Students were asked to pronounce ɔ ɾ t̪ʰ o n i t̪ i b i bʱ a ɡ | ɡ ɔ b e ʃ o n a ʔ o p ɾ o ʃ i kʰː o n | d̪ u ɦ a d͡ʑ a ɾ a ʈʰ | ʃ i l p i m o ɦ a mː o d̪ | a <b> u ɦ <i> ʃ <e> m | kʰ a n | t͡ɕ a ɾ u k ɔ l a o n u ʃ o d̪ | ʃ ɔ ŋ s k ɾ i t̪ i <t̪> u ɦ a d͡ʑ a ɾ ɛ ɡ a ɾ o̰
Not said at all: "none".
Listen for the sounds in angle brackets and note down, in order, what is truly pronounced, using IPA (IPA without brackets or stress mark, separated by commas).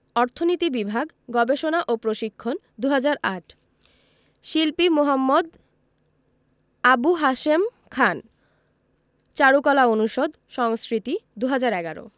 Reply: b, a, e, d̪